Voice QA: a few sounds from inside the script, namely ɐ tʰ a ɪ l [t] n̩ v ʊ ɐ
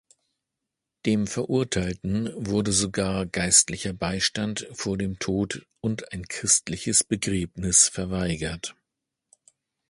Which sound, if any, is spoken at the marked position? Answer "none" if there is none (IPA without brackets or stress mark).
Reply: t